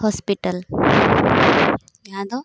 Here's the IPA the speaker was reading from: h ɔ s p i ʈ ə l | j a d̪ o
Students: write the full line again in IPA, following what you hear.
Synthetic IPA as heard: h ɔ s p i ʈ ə l | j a d̪ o